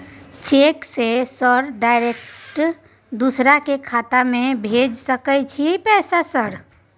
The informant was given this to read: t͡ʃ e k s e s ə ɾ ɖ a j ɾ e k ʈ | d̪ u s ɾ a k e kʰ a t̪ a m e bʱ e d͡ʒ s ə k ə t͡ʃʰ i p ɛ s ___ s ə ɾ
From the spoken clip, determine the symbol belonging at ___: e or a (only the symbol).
a